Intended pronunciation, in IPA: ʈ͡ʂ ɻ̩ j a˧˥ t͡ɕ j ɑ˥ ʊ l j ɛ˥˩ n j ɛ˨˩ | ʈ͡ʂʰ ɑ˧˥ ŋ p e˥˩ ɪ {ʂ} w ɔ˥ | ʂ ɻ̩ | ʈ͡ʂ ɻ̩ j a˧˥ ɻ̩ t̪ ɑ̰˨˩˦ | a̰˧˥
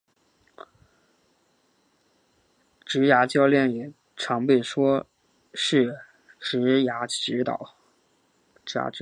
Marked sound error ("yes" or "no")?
no